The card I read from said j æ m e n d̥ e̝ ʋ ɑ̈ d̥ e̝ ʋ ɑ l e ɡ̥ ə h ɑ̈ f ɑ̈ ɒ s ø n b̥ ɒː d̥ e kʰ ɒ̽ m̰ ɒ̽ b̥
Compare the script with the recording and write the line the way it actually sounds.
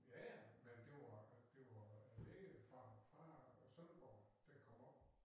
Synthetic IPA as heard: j æ m e n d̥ e̝ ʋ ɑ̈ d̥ e̝ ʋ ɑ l e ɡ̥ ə f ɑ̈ f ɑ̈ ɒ s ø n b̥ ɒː d̥ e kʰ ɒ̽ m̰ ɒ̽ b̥